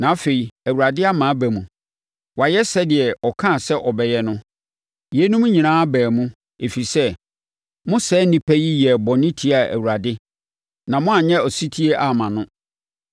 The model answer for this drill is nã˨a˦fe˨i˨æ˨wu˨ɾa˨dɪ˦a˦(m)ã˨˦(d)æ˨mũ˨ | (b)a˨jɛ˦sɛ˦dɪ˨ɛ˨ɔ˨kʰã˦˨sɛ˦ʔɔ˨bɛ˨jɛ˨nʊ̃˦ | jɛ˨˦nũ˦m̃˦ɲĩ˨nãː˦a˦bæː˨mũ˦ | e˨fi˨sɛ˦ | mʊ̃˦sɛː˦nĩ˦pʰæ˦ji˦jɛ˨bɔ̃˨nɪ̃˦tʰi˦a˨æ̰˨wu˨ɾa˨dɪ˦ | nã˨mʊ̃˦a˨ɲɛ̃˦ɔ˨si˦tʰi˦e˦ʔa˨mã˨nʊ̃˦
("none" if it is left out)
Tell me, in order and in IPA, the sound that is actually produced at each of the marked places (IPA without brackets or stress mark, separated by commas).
m, b, w